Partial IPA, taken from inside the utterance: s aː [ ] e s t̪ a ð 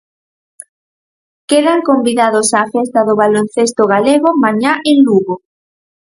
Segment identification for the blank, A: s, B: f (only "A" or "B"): B